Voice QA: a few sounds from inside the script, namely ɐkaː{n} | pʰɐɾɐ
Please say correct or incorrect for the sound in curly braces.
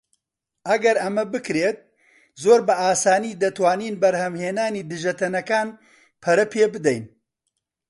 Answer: correct